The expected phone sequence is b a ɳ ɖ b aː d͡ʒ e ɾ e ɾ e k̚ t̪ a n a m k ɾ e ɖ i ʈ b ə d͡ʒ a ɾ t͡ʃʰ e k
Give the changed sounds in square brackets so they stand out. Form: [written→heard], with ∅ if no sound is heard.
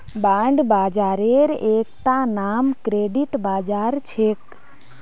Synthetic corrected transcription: b a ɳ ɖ b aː d͡ʒ [e→a] ɾ e ɾ e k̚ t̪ a n a m k ɾ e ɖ i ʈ b [ə→a] d͡ʒ a ɾ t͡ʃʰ e k

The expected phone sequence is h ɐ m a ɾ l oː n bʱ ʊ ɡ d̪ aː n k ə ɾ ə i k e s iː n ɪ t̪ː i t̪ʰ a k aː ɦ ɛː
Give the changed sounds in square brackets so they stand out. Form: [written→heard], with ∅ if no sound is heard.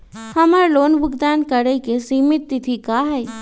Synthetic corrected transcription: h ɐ m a ɾ l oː n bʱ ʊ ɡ d̪ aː n k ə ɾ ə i k e s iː [n→m] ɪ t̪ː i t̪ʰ [a→i] k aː ɦ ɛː

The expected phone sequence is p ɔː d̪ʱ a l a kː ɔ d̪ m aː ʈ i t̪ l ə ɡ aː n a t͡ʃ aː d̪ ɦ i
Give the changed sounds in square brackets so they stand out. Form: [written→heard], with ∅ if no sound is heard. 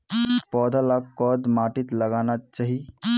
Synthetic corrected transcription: p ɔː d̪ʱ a l a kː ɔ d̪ m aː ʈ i t̪ l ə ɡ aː n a t͡ʃ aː [d̪→∅] ɦ i

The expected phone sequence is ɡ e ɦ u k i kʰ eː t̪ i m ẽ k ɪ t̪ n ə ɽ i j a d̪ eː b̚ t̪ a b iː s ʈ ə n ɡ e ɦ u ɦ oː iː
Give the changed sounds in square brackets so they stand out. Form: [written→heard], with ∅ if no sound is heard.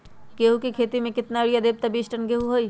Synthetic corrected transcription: ɡ e ɦ u k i kʰ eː t̪ i m ẽ k ɪ t̪ n [ə→a] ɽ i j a d̪ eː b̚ t̪ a b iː s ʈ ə n ɡ e ɦ u ɦ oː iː

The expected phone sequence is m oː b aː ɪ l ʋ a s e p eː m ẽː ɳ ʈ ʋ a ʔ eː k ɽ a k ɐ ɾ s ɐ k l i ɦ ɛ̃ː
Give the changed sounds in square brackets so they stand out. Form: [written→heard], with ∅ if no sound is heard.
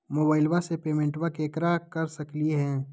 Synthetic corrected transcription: m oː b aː ɪ l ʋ a s e p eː m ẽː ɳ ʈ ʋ a [ʔ→k] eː k [ɽ→ɾ] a k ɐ ɾ s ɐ k l i ɦ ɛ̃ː

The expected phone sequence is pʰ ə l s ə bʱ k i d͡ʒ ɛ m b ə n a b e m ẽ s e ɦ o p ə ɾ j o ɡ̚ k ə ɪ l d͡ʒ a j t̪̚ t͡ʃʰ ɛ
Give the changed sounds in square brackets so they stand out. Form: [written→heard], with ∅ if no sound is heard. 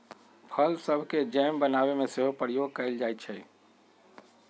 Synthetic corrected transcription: pʰ ə l s ə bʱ k [i→e] d͡ʒ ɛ m b ə n a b e m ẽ s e ɦ o p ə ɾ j o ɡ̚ k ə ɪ l d͡ʒ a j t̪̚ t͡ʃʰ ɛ

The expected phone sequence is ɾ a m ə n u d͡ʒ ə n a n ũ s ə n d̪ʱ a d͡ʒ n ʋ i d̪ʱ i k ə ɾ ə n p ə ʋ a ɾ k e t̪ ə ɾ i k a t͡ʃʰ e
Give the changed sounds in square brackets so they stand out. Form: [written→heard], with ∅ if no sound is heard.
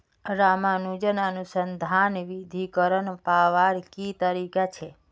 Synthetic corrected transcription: ɾ a m [ə→a] n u d͡ʒ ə n a n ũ s ə n d̪ʱ a [d͡ʒ→∅] n ʋ i d̪ʱ i k ə ɾ ə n p [ə→a] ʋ a ɾ k [e→i] t̪ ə ɾ i k a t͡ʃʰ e

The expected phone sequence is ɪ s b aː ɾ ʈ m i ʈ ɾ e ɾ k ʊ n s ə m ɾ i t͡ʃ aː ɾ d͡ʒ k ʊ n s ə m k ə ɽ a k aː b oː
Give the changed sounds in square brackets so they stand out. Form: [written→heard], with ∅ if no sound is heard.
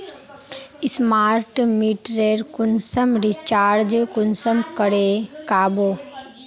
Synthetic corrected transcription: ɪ s [b→m] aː ɾ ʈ m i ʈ ɾ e ɾ k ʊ n s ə m ɾ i t͡ʃ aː ɾ d͡ʒ k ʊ n s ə m k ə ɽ [a→e] k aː b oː

